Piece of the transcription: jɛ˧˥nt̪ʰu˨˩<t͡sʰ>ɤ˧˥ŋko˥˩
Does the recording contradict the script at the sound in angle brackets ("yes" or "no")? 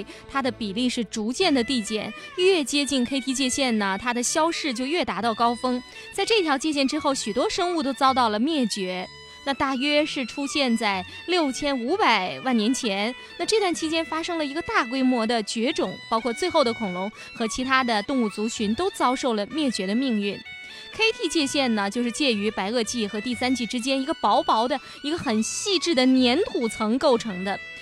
no